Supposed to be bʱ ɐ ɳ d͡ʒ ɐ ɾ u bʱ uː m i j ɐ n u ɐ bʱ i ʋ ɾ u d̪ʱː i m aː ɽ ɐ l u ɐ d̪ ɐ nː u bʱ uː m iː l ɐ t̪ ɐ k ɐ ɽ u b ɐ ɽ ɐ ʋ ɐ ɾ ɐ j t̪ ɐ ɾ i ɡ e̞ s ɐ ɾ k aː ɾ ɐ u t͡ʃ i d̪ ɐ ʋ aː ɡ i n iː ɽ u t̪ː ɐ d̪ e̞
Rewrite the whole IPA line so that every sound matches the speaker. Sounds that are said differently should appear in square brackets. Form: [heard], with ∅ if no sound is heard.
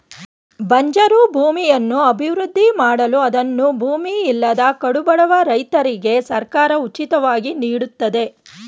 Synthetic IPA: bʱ ɐ [ɲ] d͡ʒ ɐ ɾ u bʱ uː m i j ɐ [nː] u ɐ bʱ i ʋ ɾ u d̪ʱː i m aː ɽ ɐ l u ɐ d̪ ɐ nː u bʱ uː m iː [lː] ɐ [d̪] ɐ k ɐ ɽ u b ɐ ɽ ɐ ʋ ɐ ɾ ɐ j t̪ ɐ ɾ i ɡ e̞ s ɐ ɾ k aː ɾ ɐ u t͡ʃ i [t̪] ɐ ʋ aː ɡ i n iː ɽ u t̪ː ɐ d̪ e̞

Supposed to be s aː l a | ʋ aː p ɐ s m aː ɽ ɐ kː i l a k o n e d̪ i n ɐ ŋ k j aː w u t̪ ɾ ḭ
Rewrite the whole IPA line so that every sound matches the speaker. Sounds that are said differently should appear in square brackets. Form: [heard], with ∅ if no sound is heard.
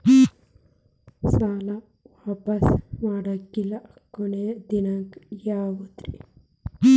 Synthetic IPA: s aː l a | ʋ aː p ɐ s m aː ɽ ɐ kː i l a k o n e d̪ i n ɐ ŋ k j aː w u t̪ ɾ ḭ

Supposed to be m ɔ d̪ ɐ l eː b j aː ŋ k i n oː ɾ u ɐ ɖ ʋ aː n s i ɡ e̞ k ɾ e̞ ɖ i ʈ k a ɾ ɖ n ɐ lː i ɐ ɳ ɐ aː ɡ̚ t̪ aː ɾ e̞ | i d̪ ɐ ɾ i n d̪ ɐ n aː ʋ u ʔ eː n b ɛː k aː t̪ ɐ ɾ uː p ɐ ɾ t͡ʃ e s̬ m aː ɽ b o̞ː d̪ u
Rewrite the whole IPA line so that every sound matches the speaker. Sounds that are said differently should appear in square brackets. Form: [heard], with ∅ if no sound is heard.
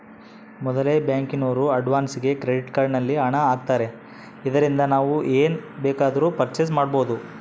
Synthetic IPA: m ɔ d̪ ɐ l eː b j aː ŋ k i n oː ɾ u ɐ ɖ ʋ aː n s i ɡ e̞ k ɾ e̞ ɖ i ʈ k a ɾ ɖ n ɐ lː i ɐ ɳ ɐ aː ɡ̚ t̪ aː ɾ e̞ | i d̪ ɐ ɾ i n d̪ ɐ n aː ʋ u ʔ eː n b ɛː k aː [d̪] ɐ ɾ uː p ɐ ɾ t͡ʃ e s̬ m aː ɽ b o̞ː d̪ u

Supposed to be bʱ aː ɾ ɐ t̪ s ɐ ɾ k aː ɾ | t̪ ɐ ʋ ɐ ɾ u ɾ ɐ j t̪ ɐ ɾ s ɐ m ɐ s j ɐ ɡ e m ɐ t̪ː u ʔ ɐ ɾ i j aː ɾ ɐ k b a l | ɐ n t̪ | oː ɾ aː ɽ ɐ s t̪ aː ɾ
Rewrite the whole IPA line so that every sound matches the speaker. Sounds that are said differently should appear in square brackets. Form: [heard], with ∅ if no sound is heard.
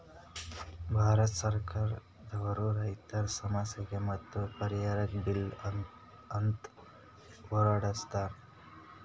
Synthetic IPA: bʱ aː ɾ ɐ t̪ s ɐ ɾ k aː ɾ | [d̪] ɐ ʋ ɐ ɾ u ɾ ɐ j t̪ ɐ ɾ s ɐ m ɐ s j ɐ ɡ e m ɐ t̪ː u [p] ɐ ɾ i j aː ɾ ɐ k b [i] l | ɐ n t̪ | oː ɾ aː ɽ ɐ s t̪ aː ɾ

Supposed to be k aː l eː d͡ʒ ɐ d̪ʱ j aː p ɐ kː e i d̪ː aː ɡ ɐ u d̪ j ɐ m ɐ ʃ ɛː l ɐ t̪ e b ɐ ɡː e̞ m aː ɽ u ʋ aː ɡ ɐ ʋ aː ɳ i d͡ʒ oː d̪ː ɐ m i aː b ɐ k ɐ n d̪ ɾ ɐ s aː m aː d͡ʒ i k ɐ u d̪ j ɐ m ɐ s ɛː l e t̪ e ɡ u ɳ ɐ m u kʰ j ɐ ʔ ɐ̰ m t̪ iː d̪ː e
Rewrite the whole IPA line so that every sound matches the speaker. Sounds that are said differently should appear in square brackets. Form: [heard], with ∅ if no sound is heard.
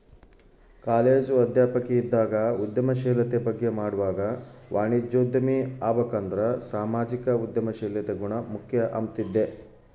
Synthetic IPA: k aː l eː d͡ʒ ɐ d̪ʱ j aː p ɐ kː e i d̪ː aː ɡ ɐ u d̪ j ɐ m ɐ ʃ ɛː l ɐ t̪ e b ɐ ɡː e̞ m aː ɽ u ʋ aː ɡ ɐ ʋ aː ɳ i d͡ʒ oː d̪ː ɐ m i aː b ɐ k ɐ n d̪ ɾ ɐ s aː m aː d͡ʒ i k ɐ u d̪ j ɐ m ɐ [ʃ] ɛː l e t̪ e ɡ u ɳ ɐ m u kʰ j ɐ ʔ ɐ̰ m t̪ [i] d̪ː e

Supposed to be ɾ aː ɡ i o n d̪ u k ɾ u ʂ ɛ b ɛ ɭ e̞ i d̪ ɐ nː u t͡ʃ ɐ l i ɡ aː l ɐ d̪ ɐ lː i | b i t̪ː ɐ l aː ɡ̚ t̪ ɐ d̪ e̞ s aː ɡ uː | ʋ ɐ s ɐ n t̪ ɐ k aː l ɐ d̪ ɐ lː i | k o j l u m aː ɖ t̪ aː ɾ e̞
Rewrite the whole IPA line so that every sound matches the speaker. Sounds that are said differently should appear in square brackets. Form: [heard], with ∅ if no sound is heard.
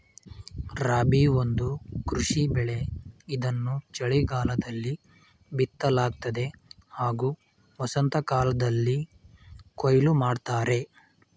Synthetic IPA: ɾ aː [b] i o n d̪ u k ɾ u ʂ [i] b ɛ ɭ e̞ i d̪ ɐ nː u t͡ʃ ɐ [ɭ] i ɡ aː l ɐ d̪ ɐ lː i | b i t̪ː ɐ l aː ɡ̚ t̪ ɐ d̪ e̞ [h] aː ɡ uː | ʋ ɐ s ɐ n t̪ ɐ k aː l ɐ d̪ ɐ lː i | k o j l u m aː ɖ t̪ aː ɾ e̞

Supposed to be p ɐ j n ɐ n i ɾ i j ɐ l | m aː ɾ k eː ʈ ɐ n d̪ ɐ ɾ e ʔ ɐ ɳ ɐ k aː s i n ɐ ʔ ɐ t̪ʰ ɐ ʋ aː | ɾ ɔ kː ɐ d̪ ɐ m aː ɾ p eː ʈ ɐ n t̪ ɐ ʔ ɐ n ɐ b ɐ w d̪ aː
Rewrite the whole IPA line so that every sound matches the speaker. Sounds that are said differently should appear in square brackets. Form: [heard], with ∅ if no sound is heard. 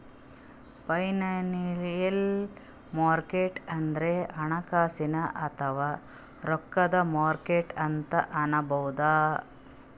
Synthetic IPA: p ɐ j n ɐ n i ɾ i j ɐ l | m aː ɾ k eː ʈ ɐ n d̪ ɐ ɾ e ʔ ɐ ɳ ɐ k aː s i n ɐ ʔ ɐ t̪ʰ ɐ ʋ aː | ɾ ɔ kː ɐ d̪ ɐ m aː ɾ [k] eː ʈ ɐ n t̪ ɐ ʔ ɐ n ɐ b ɐ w d̪ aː

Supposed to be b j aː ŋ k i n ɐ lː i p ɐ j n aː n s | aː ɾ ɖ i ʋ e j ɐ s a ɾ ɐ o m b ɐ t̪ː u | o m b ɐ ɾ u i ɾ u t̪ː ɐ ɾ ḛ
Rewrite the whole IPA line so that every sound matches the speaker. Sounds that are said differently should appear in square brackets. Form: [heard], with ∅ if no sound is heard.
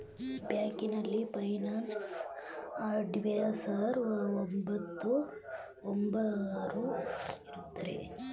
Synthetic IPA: b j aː ŋ k i n ɐ lː i p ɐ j n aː n s | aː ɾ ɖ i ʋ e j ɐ s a ɾ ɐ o m b ɐ t̪ː u | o m b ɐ ɾ u i ɾ u t̪ː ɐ ɾ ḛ

